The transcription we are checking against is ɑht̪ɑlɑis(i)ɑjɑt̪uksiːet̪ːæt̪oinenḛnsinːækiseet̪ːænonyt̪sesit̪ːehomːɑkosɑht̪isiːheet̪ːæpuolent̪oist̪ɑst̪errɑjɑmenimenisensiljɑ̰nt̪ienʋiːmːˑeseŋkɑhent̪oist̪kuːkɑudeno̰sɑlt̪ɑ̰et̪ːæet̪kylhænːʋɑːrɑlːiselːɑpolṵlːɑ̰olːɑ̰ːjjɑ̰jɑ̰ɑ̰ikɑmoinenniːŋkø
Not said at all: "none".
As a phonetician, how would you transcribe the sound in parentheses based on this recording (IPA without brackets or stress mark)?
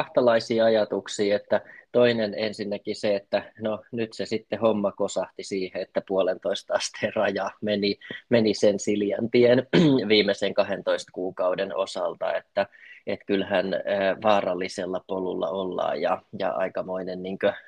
iː